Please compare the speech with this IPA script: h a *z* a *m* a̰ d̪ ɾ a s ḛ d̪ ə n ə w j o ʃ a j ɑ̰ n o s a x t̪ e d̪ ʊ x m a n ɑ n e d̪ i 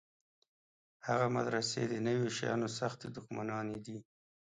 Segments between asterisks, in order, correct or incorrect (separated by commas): incorrect, correct